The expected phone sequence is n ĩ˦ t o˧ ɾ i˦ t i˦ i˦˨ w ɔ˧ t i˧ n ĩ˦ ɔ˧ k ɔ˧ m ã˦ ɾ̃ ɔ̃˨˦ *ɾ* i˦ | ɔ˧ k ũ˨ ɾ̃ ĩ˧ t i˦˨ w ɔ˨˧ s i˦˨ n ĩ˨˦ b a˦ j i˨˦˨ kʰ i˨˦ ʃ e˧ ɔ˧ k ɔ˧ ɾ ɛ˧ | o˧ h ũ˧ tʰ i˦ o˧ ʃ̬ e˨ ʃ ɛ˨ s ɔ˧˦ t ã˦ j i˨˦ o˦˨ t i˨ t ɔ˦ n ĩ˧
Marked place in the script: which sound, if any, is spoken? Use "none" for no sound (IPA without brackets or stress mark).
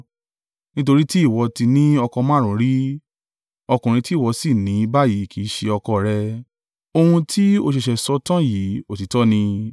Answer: ɾ